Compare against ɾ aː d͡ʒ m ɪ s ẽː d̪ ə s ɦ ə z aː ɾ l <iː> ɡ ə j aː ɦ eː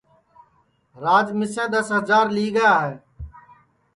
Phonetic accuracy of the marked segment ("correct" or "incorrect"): correct